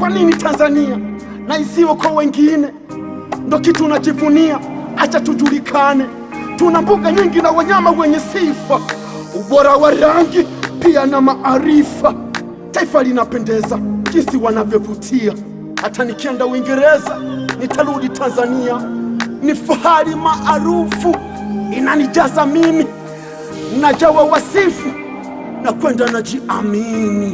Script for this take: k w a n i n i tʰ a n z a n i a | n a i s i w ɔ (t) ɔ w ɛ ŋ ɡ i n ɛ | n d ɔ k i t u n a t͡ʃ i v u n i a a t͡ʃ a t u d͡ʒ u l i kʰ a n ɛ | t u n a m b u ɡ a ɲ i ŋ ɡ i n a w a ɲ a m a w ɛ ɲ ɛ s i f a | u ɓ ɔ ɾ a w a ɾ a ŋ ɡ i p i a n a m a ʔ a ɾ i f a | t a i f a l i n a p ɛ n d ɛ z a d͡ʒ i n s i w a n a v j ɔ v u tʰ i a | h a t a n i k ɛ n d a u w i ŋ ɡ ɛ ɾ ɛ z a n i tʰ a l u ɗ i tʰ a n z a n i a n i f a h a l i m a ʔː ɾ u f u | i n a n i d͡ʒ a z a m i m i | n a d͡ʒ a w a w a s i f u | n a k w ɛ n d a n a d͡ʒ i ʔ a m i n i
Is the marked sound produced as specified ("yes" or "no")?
no